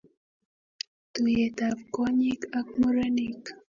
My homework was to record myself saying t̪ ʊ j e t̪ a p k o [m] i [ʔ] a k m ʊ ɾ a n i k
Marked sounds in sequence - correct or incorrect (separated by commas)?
incorrect, incorrect